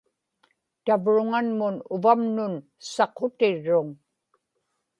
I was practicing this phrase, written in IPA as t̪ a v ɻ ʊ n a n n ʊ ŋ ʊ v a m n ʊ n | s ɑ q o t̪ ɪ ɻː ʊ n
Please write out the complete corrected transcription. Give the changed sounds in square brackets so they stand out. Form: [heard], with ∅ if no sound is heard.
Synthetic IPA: t̪ a v ɻ ʊ [ŋ] a n [m] ʊ [n] ʊ v a m n ʊ n | s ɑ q o t̪ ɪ ɻː ʊ [ŋ]